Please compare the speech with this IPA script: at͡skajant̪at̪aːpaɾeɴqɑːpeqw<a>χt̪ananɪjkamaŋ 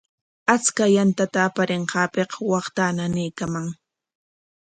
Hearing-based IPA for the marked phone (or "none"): ɑ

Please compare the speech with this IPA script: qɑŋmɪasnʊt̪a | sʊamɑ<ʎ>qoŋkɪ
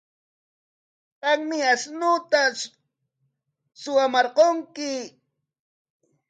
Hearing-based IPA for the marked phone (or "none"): ɾ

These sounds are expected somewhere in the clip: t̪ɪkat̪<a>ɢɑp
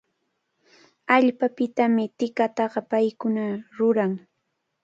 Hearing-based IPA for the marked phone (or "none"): ɑ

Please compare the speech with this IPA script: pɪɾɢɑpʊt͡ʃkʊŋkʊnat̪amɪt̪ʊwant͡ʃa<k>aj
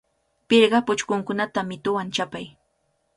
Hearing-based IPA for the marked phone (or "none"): p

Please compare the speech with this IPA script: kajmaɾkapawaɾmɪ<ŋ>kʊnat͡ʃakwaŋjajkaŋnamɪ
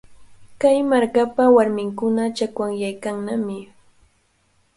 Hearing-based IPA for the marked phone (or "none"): ŋ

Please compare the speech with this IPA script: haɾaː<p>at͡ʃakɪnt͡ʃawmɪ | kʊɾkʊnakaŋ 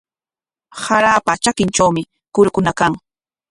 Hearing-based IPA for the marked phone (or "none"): p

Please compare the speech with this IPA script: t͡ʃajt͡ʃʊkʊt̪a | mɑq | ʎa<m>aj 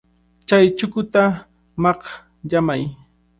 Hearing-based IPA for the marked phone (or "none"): m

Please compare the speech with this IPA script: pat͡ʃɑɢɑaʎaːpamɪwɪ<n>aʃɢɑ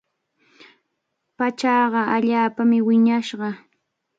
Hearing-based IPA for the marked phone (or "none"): ɲ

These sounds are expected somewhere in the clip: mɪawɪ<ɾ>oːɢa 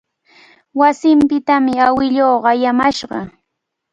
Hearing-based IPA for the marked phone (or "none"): ʎ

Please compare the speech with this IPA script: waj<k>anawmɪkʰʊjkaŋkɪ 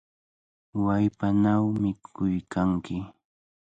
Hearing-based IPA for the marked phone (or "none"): p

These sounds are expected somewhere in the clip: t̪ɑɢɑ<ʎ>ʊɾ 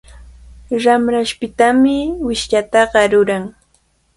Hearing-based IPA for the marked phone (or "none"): ɾ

